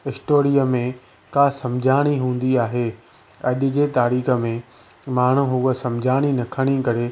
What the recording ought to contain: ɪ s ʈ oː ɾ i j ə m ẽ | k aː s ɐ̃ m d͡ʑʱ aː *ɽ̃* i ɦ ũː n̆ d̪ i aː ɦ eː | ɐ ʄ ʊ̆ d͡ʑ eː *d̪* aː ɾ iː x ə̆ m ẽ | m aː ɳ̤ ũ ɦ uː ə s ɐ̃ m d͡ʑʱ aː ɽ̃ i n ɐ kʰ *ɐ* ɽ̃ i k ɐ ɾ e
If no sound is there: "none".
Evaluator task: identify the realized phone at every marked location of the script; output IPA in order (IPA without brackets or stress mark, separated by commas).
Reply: ɽ̃, t̪, ə